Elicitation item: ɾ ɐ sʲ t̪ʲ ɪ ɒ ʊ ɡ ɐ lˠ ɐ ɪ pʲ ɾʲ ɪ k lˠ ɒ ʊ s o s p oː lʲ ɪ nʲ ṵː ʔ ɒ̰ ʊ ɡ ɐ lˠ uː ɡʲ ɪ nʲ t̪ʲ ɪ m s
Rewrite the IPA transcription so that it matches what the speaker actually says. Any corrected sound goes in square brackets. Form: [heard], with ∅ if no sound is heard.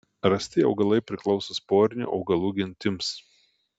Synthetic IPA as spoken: ɾ ɐ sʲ t̪ʲ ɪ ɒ ʊ ɡ ɐ lˠ ɐ ɪ pʲ ɾʲ ɪ k lˠ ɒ ʊ s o s p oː [ɾʲ] ɪ nʲ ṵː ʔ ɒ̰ ʊ ɡ ɐ lˠ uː ɡʲ ɪ nʲ t̪ʲ ɪ m s

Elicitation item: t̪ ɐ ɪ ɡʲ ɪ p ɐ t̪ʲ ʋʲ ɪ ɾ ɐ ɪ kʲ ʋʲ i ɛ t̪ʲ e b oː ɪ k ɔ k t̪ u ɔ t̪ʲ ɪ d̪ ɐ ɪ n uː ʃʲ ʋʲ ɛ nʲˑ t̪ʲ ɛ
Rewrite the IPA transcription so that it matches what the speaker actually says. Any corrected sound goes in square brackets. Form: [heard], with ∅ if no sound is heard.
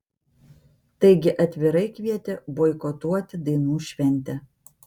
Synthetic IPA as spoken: t̪ ɐ ɪ ɡʲ ɪ [ʔ] ɐ t̪ʲ ʋʲ ɪ ɾ ɐ ɪ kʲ ʋʲ i ɛ t̪ʲ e b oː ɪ k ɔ [∅] t̪ u ɔ t̪ʲ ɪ d̪ ɐ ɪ n uː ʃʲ ʋʲ ɛ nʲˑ t̪ʲ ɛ

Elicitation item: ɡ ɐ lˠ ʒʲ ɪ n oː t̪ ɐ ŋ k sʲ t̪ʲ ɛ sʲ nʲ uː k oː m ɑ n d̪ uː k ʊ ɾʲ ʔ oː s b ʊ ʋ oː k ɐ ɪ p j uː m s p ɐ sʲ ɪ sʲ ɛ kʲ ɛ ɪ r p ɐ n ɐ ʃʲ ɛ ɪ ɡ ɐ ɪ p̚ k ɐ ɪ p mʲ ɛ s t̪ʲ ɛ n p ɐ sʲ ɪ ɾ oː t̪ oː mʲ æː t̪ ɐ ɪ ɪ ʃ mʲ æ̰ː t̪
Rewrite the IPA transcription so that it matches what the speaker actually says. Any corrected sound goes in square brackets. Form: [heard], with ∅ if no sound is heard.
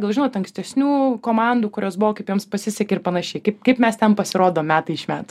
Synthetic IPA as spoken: ɡ ɐ lˠ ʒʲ ɪ n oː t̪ ɐ ŋ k sʲ t̪ʲ ɛ sʲ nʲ uː k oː m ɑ n d̪ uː k ʊ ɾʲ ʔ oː s b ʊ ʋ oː k ɐ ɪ p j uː m s p ɐ sʲ ɪ sʲ ɛ kʲ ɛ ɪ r p ɐ n ɐ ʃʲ ɛ ɪ [k] ɐ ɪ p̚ k ɐ ɪ p mʲ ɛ s t̪ʲ ɛ n p ɐ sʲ ɪ ɾ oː [d̪] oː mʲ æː t̪ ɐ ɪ ɪ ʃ mʲ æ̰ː t̪

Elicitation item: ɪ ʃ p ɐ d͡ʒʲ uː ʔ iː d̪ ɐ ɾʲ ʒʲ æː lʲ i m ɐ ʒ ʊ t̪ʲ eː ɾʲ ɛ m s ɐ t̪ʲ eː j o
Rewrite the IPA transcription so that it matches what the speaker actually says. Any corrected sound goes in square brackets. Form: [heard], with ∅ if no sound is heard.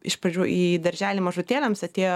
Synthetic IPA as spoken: ɪ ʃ p ɐ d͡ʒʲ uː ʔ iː d̪ ɐ ɾʲ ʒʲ æː lʲ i m ɐ ʒ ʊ t̪ʲ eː [lʲ] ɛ m s ɐ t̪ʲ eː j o

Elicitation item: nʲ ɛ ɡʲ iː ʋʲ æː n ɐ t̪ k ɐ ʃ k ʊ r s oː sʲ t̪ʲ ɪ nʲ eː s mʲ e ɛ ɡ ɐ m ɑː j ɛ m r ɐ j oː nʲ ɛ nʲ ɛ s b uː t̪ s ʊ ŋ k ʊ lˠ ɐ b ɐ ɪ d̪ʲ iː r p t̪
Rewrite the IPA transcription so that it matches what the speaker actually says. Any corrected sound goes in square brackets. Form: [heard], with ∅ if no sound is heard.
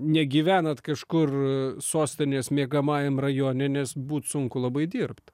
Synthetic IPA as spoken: nʲ ɛ ɡʲ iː ʋʲ æː n ɐ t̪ k ɐ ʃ k ʊ r s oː sʲ t̪ʲ ɪ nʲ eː s mʲ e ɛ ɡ ɐ m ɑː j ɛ m r ɐ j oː nʲ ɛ nʲ ɛ s b uː t̪ s ʊ ŋ k ʊ lˠ ɐ b ɐ ɪ d̪ʲ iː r p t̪

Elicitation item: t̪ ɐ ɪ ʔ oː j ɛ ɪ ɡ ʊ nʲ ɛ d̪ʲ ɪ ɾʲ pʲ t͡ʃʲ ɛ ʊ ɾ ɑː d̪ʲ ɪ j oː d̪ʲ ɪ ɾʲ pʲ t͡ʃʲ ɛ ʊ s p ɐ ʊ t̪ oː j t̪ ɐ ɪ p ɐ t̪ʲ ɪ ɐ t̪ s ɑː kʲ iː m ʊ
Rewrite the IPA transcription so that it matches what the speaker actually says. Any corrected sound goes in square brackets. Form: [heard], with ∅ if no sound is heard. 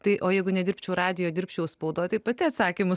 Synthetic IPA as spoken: t̪ ɐ ɪ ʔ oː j ɛ ɪ ɡ ʊ nʲ ɛ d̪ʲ ɪ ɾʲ pʲ t͡ʃʲ ɛ ʊ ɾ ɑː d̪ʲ ɪ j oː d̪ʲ ɪ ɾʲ pʲ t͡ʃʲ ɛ ʊ s p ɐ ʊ [d̪] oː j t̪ ɐ ɪ p ɐ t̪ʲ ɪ ɐ t̪ s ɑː kʲ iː m ʊ

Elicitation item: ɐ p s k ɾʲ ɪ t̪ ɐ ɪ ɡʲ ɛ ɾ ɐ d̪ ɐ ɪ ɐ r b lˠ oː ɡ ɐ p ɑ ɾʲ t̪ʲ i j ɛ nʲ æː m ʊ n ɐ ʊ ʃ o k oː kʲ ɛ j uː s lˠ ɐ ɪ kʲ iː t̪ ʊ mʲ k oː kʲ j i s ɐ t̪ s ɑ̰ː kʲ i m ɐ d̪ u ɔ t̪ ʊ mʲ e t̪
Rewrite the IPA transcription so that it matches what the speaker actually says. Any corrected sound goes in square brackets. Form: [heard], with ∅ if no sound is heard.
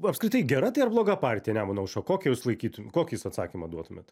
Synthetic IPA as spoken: ɐ p s k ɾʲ ɪ t̪ ɐ ɪ ɡʲ ɛ ɾ ɐ [t̪] ɐ ɪ ɐ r b lˠ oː ɡ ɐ p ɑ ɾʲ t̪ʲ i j ɛ nʲ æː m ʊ n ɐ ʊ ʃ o k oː kʲ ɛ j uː s lˠ ɐ ɪ kʲ iː t̪ ʊ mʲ k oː kʲ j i s ɐ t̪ s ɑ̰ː kʲ i m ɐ d̪ u ɔ t̪ ʊ mʲ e t̪

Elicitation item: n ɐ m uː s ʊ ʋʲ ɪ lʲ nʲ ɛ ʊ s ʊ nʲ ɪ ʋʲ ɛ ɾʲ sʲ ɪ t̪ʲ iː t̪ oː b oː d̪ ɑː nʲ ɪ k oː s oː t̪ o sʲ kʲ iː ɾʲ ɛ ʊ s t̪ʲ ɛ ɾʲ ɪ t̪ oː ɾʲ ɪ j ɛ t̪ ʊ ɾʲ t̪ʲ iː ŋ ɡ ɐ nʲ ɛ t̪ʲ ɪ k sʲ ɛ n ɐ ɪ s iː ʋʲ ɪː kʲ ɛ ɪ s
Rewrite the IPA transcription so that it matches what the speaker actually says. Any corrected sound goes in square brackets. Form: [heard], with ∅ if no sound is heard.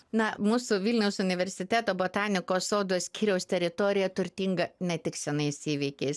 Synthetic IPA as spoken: n ɐ m uː s ʊ ʋʲ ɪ lʲ nʲ ɛ ʊ s ʊ nʲ ɪ ʋʲ ɛ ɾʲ sʲ ɪ t̪ʲ [æː] t̪ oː b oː [t̪] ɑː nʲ ɪ k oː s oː [d̪] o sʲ kʲ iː ɾʲ ɛ ʊ s t̪ʲ ɛ ɾʲ ɪ t̪ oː ɾʲ ɪ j ɛ t̪ ʊ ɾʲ t̪ʲ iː ŋ ɡ ɐ nʲ ɛ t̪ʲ ɪ k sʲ ɛ n ɐ ɪ s iː ʋʲ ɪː kʲ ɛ ɪ s

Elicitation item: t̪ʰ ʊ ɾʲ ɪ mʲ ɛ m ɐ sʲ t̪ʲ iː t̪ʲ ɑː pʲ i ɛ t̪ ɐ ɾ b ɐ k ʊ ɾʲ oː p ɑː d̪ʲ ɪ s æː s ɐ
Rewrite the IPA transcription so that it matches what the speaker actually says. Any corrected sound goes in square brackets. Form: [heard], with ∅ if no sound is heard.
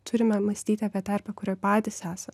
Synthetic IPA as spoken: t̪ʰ ʊ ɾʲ ɪ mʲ ɛ m ɐ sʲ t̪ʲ iː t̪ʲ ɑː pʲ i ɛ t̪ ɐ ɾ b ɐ k ʊ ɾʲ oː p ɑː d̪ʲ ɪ s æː s ɐ

